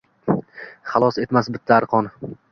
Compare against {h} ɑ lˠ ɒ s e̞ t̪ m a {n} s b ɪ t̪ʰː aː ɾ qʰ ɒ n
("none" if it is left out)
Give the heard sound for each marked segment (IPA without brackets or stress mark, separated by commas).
χ, none